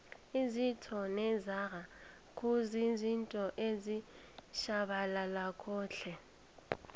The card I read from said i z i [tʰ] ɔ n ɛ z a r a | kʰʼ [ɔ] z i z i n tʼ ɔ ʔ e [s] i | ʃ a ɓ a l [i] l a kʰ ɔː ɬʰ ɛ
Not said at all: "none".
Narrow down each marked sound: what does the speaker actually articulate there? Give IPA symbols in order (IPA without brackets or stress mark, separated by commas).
tʰ, u, z, a